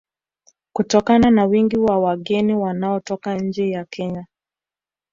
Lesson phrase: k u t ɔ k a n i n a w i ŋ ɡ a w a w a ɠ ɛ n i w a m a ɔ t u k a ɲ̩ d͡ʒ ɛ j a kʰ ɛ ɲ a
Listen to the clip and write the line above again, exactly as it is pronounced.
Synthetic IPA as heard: k u t ɔ k a n a n a w i ŋ ɡ i w a w a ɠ ɛ n i w a n a ɔ t ɔ k a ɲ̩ d͡ʒ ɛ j a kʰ ɛ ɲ a